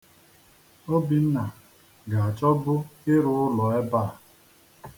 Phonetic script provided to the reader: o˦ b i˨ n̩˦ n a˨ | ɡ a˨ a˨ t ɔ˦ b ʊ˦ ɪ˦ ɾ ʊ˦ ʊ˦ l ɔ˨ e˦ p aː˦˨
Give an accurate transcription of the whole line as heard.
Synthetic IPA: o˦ b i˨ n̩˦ n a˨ | ɡ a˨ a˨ t͡ʃ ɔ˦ b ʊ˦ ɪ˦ ɾ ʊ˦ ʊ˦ l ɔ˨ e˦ b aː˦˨